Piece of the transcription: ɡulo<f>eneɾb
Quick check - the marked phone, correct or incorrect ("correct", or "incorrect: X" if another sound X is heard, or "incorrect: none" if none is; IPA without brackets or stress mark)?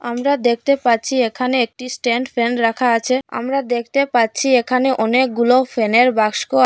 correct